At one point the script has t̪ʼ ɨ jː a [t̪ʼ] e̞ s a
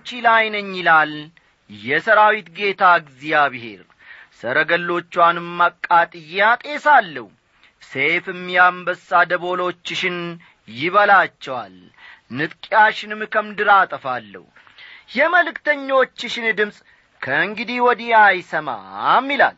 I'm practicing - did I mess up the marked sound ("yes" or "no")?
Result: no